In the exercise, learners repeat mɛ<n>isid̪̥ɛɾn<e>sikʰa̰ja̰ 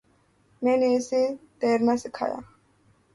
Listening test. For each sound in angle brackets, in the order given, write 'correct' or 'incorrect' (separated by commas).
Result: correct, incorrect